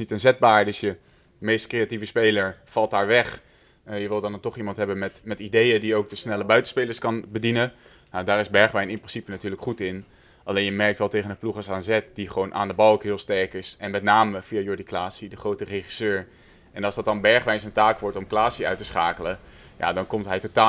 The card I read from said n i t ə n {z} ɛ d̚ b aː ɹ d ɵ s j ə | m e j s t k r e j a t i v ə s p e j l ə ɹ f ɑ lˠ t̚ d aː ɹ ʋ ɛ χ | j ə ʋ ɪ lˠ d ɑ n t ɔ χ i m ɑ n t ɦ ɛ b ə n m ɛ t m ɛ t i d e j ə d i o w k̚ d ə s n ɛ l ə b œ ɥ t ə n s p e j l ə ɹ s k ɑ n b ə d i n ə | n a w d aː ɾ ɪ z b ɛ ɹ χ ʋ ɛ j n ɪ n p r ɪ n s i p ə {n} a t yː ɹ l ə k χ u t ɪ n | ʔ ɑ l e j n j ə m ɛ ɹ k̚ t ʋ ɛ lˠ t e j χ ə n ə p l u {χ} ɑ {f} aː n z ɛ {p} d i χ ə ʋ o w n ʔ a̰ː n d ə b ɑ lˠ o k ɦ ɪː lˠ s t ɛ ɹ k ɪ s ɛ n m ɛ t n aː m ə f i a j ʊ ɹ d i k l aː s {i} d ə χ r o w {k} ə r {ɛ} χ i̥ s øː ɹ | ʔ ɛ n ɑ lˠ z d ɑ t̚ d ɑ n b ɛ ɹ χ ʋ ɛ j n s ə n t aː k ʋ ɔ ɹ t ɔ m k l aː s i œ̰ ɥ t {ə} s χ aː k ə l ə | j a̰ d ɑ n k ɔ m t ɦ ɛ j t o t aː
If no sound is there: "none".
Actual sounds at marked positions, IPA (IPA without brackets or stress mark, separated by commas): z, n, χ, s, t, i, t, e, ə